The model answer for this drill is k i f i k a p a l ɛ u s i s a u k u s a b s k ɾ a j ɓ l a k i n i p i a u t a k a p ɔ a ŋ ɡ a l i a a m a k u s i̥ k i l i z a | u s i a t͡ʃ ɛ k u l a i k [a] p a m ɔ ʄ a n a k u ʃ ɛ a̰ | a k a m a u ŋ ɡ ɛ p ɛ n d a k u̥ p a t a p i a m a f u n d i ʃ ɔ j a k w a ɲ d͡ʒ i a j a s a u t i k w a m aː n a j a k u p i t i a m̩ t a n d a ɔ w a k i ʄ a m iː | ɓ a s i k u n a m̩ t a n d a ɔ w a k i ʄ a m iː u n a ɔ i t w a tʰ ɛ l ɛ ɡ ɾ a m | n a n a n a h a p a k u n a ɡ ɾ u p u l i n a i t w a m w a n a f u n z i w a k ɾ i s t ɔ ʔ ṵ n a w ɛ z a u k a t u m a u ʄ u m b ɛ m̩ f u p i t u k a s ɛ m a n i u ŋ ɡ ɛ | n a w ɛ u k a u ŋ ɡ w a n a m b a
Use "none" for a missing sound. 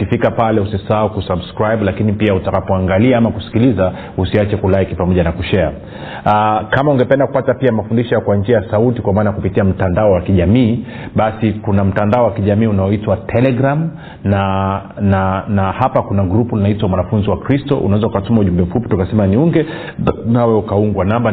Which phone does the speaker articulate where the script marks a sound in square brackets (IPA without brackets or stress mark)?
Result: i